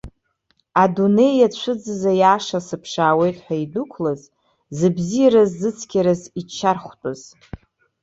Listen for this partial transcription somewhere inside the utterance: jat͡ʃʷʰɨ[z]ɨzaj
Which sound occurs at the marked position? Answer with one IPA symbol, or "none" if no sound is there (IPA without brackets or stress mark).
d͡z